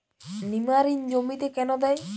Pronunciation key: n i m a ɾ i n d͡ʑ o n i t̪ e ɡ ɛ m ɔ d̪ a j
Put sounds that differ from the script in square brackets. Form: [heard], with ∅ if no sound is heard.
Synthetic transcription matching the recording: n i m a ɾ i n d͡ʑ o [m] i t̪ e [k] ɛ [n] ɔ d̪ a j